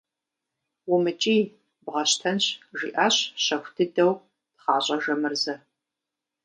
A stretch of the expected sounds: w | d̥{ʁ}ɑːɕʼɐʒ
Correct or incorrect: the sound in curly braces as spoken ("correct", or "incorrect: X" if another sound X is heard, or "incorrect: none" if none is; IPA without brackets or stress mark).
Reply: incorrect: χ